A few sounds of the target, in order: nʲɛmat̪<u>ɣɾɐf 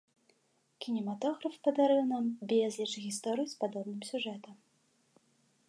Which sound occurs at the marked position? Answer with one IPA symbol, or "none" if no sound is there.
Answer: ɔ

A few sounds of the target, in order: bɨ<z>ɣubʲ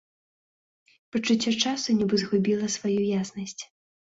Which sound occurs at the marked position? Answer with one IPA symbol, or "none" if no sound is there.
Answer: z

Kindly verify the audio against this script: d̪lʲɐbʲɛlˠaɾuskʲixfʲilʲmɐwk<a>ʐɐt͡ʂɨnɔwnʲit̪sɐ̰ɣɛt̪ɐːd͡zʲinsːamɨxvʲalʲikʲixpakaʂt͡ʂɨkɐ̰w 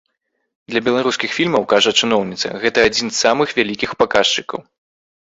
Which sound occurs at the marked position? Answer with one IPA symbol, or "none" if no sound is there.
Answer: a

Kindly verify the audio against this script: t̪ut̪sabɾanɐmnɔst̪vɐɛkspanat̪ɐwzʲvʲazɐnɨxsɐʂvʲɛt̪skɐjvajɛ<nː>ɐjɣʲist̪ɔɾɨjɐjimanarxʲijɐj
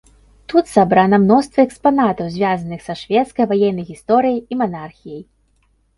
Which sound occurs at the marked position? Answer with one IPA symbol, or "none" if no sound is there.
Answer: nː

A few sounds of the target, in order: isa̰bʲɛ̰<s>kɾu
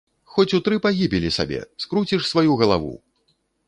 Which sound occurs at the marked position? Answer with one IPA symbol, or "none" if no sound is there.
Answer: s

